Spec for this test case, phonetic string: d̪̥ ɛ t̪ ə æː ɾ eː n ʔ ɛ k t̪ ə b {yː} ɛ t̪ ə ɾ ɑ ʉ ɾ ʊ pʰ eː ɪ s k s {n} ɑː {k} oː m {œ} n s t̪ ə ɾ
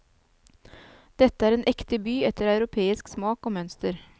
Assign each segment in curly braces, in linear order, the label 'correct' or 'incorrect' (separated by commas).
correct, incorrect, correct, correct